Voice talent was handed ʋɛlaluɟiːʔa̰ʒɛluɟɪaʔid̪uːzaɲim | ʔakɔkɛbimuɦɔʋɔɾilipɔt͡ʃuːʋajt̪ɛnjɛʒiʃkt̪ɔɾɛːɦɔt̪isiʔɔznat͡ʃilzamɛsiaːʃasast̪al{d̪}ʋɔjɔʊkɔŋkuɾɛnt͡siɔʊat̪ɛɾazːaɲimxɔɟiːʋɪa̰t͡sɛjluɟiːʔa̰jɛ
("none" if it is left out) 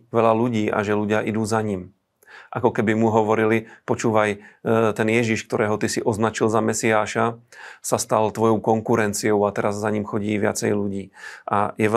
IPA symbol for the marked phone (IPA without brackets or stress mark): t̪